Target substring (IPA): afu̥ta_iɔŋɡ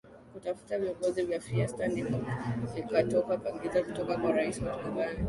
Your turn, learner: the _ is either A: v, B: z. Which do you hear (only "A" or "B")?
A